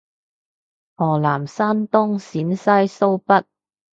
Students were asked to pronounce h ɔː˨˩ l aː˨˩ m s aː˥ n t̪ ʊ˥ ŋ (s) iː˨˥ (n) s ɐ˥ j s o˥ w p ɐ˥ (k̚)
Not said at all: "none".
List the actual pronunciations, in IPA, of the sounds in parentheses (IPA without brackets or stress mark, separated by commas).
s, n, t̚